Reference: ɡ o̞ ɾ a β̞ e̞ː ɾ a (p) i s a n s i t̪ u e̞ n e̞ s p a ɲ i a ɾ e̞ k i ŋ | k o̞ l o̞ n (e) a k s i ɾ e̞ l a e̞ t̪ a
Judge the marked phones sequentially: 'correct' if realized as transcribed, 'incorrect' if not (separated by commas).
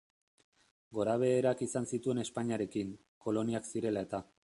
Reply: incorrect, incorrect